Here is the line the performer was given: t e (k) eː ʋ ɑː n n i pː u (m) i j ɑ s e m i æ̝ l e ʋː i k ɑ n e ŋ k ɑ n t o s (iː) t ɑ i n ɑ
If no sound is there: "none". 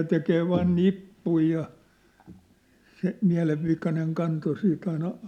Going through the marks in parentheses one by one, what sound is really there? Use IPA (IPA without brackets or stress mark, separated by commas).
k, none, iː